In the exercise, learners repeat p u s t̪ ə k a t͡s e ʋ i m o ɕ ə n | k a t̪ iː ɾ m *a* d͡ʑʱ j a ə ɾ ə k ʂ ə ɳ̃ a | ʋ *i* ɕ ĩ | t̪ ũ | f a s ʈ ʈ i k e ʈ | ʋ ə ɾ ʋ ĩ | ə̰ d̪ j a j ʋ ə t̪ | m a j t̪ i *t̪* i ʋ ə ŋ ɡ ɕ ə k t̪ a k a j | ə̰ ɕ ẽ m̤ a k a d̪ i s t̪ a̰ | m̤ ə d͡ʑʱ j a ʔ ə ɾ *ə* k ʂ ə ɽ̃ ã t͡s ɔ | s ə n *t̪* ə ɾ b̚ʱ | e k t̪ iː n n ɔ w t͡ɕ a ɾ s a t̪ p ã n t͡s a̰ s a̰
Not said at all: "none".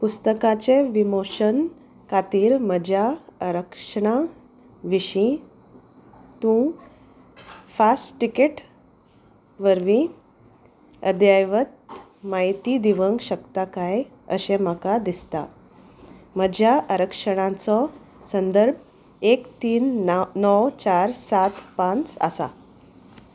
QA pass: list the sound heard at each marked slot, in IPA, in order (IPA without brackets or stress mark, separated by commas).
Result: ə, i, d̪, ə, d̪